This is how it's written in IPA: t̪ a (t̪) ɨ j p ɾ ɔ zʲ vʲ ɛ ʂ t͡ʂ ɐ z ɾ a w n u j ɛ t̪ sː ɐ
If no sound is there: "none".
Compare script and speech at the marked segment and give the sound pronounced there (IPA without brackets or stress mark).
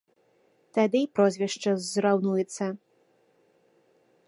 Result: d̪